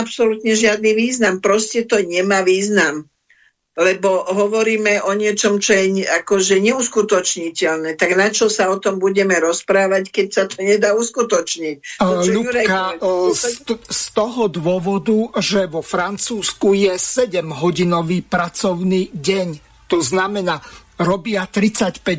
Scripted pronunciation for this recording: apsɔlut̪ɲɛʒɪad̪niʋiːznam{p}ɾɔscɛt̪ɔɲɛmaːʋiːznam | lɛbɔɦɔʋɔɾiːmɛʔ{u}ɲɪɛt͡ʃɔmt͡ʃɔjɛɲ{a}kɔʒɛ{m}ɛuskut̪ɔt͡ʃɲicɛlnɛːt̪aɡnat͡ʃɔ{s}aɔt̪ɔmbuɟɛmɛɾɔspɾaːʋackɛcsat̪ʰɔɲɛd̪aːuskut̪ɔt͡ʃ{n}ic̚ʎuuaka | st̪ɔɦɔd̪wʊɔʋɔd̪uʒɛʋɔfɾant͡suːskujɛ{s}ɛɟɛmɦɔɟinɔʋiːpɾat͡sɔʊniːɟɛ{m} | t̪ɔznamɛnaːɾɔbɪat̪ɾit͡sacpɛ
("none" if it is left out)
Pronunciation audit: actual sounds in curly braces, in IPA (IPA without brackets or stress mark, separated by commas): p, ɔ, a, ɲ, s, ɲ, s, ɲ